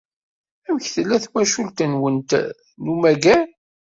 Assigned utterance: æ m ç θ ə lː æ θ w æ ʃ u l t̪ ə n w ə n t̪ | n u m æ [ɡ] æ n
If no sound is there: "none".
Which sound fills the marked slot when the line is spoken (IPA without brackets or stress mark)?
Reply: ɡ